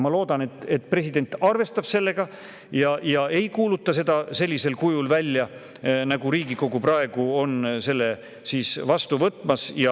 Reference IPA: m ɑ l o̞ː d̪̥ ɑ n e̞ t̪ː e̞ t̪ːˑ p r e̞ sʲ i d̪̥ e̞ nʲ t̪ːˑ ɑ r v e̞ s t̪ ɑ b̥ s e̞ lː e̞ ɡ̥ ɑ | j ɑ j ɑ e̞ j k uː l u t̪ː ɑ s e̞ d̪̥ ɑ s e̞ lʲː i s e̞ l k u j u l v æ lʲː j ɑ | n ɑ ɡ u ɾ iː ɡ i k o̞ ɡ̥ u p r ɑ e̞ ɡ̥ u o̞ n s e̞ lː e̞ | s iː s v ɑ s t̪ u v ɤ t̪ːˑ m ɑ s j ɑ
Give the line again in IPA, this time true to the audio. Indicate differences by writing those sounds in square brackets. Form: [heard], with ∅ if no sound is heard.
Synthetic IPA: m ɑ l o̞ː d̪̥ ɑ n e̞ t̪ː e̞ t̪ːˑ p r e̞ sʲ i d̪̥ e̞ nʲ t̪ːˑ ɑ r v e̞ s t̪ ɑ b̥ s e̞ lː e̞ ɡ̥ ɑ | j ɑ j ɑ e̞ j k uː l u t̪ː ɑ s e̞ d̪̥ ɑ s e̞ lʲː i s e̞ l k u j u l v æ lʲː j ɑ | n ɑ ɡ u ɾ iː ɡ i k o̞ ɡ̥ u p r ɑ e̞ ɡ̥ u o̞ n s e̞ lː e̞ | s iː s v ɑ s t̪ u v ɤ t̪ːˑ m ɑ s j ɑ